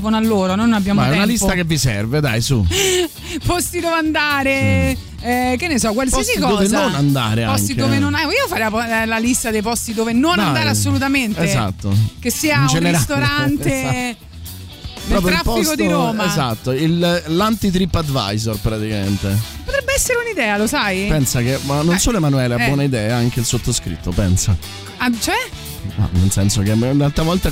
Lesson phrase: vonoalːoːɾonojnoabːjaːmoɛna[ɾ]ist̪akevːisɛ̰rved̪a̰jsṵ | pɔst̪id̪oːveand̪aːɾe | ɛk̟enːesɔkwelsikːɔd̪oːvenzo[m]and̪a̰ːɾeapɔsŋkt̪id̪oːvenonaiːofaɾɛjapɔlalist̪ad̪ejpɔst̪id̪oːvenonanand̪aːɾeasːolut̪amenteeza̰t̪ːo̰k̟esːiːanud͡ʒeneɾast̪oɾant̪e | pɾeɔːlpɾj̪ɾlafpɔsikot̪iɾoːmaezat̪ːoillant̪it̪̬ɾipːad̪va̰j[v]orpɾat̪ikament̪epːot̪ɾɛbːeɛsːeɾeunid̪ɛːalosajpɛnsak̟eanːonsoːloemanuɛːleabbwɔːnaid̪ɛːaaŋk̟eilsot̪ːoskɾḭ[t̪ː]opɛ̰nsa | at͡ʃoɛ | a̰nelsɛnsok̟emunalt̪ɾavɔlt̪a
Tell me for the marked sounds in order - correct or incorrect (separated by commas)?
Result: incorrect, incorrect, incorrect, correct